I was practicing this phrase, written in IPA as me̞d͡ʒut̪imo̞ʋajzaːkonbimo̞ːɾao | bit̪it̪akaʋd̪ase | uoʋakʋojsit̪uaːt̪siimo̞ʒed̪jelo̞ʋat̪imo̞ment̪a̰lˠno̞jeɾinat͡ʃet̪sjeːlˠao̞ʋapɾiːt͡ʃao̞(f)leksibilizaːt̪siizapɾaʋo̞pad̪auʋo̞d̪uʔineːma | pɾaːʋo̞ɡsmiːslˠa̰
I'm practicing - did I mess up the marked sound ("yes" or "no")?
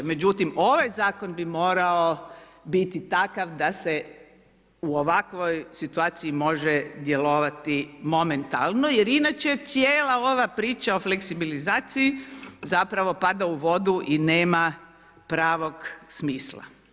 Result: no